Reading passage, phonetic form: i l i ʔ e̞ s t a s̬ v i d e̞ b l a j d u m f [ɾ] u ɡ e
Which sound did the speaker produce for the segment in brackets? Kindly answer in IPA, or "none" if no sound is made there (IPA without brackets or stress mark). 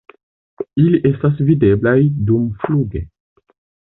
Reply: l